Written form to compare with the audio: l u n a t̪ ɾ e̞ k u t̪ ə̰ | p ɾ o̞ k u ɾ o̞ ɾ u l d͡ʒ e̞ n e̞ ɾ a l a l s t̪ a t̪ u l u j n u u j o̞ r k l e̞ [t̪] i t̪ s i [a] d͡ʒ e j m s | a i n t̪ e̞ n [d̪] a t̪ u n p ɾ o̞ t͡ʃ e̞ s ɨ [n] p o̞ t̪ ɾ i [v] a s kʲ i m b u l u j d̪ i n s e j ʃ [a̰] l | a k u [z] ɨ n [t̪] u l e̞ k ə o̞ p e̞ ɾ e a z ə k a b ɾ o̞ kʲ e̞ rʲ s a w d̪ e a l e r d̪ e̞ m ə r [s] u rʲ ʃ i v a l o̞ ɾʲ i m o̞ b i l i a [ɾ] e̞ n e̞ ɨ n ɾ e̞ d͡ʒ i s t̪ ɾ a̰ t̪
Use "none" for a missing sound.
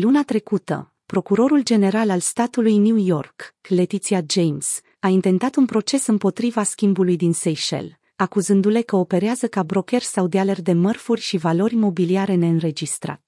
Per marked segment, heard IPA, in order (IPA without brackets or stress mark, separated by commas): t̪, a, t̪, m, v, ḛ, z, d̪, f, ɾ